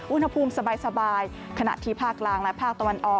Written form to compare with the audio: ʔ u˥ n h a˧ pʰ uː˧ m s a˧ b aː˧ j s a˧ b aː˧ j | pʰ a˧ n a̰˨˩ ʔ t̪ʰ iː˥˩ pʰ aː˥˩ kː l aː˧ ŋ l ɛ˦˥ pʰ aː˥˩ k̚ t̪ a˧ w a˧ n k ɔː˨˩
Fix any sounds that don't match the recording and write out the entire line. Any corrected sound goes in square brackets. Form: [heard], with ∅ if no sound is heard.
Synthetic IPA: ʔ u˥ n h a˧ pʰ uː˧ m s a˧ b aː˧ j s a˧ b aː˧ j | [kʰ] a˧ n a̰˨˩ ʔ t̪ʰ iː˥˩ pʰ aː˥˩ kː l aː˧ ŋ l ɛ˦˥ pʰ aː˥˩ k̚ t̪ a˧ w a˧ n [ʔ] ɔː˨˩